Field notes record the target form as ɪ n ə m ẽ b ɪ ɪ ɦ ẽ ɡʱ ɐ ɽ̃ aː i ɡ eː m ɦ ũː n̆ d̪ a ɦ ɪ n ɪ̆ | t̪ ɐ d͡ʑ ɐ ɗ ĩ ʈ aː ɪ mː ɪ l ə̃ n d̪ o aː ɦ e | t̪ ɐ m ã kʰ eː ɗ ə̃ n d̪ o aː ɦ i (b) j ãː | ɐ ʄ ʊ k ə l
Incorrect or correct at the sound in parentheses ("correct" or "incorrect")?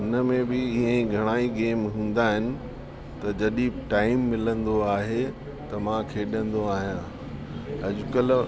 incorrect